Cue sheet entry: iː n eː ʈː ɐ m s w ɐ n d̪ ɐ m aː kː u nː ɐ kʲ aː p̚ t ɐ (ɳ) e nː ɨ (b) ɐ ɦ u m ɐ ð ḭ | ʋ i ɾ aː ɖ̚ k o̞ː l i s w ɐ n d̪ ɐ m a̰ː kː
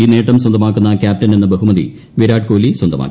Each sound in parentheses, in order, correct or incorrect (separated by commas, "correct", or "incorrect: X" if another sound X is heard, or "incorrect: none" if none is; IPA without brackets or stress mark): incorrect: n, correct